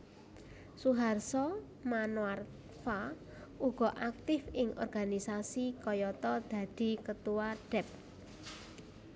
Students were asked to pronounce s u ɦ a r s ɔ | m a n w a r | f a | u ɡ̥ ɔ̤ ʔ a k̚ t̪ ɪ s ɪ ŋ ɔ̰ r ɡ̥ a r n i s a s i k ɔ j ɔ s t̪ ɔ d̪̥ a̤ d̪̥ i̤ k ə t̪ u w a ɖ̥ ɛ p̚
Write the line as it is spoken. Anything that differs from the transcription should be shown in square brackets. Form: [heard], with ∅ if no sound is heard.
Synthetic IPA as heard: s u ɦ a r s ɔ | m a n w a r | f a | u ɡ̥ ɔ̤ ʔ a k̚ t̪ ɪ [f] ɪ ŋ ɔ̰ r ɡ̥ a [∅] n i s a s i k ɔ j ɔ [∅] t̪ ɔ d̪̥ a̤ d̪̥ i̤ k ə t̪ u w a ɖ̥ ɛ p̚